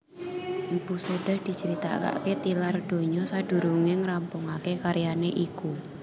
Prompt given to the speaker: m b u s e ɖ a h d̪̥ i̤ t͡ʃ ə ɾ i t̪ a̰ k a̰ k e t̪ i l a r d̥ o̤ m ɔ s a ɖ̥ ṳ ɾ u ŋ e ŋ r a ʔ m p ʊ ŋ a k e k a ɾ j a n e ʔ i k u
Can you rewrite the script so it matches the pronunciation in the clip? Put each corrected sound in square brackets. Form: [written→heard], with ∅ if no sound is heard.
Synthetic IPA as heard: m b u s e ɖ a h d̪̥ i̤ t͡ʃ ə ɾ i t̪ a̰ k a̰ k e t̪ i l a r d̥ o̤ [m→ɲ] ɔ s a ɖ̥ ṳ ɾ u ŋ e ŋ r a [ʔ→∅] m p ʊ ŋ a k e k a ɾ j a n e ʔ i k u